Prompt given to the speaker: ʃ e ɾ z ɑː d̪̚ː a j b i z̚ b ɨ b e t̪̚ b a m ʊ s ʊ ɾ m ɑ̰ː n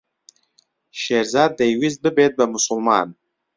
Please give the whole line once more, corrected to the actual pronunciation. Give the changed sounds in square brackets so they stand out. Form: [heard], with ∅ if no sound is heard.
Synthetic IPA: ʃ e ɾ z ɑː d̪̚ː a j [w] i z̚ b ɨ b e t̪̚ b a m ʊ s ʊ [l] m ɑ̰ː n